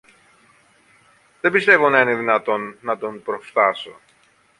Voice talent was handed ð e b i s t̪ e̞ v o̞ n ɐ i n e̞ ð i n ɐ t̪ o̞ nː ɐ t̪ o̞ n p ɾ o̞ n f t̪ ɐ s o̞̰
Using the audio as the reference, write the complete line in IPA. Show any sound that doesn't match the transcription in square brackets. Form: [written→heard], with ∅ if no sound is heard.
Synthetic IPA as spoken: ð e b i s t̪ e̞ v o̞ n ɐ i n e̞ ð i n ɐ t̪ o̞ nː ɐ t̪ o̞ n p ɾ o̞ [n→∅] f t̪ ɐ s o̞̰